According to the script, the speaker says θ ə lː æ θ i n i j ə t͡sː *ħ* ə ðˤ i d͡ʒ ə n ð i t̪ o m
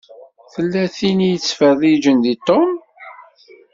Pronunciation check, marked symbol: incorrect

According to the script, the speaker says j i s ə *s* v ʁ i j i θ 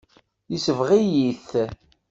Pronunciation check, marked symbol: incorrect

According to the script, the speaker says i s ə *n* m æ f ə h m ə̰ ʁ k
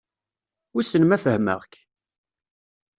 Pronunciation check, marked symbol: correct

